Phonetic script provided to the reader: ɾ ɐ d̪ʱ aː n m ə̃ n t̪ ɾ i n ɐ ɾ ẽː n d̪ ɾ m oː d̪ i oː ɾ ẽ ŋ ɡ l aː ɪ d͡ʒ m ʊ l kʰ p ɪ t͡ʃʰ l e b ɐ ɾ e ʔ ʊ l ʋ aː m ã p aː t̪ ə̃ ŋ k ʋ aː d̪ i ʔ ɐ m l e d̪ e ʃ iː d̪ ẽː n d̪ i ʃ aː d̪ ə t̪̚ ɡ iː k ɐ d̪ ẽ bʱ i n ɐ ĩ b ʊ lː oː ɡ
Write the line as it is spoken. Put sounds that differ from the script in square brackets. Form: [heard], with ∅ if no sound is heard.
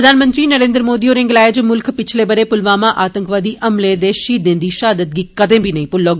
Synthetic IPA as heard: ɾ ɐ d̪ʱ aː n m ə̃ n t̪ ɾ i n ɐ ɾ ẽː n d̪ ɾ m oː d̪ i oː ɾ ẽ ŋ ɡ l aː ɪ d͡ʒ m ʊ l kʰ p ɪ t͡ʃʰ l e b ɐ ɾ e [p] ʊ l ʋ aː m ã [ʔ] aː t̪ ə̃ ŋ k ʋ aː d̪ i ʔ ɐ m l e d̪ e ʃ iː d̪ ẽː n d̪ i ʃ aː d̪ ə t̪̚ ɡ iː k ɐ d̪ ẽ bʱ i n ɐ ĩ [p] ʊ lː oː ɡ